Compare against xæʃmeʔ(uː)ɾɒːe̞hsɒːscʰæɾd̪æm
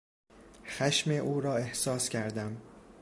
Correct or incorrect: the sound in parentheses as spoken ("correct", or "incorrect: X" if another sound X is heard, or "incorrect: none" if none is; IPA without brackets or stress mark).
correct